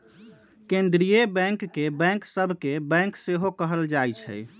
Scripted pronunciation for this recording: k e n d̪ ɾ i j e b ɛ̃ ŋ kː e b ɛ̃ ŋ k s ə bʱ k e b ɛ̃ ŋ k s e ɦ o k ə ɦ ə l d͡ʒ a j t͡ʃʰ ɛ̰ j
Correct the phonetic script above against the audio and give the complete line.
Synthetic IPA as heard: k e n d̪ ɾ i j e b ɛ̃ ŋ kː e b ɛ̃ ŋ k s ə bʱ k e b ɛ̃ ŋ k s e ɦ o k ə ɦ ə l d͡ʒ a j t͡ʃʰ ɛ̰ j